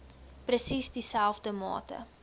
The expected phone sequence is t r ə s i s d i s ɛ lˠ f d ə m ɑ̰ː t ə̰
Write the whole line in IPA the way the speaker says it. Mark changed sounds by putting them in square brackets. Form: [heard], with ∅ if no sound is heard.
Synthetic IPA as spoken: [p] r ə s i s d i s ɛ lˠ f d ə m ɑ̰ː t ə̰